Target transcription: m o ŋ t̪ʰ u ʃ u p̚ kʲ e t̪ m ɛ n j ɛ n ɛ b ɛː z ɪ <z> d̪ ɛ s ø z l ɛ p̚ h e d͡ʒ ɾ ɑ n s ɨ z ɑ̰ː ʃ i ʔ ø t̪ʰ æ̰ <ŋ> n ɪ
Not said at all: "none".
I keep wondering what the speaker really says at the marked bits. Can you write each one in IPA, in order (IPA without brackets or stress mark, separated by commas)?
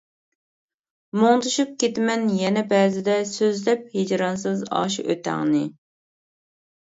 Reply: none, ŋ